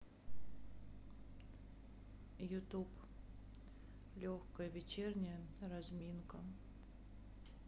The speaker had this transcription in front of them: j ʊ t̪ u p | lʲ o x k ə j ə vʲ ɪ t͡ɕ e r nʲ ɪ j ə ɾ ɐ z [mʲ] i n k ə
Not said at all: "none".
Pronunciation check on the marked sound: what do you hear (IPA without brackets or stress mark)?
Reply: mʲ